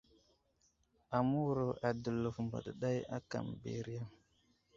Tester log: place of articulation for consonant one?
labial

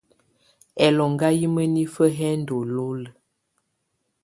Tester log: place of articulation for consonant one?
alveolar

